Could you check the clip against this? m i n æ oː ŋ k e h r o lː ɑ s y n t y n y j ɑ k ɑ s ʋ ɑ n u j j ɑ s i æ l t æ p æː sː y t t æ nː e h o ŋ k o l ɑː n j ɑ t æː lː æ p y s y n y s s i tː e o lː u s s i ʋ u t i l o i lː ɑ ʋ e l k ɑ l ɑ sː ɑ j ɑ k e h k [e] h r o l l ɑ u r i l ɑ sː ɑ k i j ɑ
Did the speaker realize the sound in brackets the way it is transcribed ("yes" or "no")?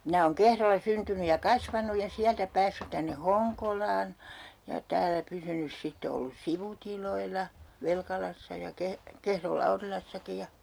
yes